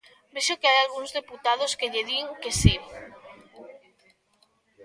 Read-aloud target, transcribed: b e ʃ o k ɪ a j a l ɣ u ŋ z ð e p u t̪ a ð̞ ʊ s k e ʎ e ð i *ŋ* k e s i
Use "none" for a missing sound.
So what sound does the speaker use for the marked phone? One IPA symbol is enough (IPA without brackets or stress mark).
ŋ